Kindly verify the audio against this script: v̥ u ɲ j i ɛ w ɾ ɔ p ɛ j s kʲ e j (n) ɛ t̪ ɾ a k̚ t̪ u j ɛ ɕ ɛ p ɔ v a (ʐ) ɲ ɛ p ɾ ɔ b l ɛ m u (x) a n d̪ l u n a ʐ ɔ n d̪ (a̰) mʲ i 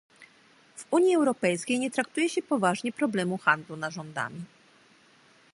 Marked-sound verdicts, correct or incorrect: incorrect: ɲ, correct, correct, correct

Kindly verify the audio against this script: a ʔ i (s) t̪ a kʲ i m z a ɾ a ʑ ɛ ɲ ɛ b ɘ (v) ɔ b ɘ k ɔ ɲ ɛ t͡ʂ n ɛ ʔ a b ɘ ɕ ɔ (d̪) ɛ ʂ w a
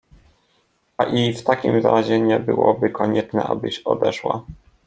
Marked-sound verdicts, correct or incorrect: incorrect: f, incorrect: w, correct

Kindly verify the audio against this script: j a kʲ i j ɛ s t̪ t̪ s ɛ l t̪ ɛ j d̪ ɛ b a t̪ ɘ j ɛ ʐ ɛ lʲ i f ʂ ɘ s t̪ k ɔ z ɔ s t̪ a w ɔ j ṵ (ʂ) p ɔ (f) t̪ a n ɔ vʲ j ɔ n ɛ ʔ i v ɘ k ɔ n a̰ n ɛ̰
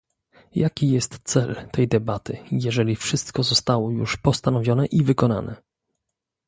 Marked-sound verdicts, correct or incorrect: correct, incorrect: s

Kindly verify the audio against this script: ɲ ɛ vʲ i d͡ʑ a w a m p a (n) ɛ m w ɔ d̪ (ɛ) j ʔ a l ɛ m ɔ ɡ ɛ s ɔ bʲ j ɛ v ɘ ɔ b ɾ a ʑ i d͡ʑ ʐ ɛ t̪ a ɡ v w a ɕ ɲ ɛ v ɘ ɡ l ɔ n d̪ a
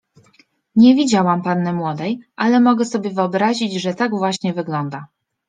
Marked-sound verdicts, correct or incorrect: incorrect: nː, correct

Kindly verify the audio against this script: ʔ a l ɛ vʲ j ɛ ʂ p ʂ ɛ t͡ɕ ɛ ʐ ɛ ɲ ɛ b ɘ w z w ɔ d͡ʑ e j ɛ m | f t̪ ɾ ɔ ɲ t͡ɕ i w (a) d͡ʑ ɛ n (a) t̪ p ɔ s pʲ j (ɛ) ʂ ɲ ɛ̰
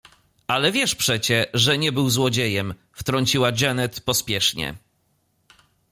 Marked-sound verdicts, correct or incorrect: correct, incorrect: ɛ, correct

